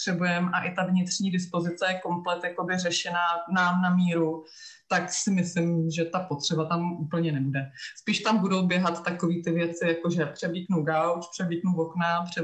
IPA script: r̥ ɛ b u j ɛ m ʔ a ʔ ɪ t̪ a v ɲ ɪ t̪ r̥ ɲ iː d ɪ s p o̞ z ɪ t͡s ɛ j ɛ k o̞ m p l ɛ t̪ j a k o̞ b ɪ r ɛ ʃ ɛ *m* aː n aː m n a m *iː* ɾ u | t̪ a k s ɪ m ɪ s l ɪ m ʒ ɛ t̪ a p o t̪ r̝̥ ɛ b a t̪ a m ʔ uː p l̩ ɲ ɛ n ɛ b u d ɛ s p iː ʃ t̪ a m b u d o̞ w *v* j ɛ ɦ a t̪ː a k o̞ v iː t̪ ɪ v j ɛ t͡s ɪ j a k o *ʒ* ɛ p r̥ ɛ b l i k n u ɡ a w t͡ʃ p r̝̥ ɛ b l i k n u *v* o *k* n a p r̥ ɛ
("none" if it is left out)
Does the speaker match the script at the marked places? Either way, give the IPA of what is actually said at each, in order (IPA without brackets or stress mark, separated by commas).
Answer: n, iː, b, ʒ, v, k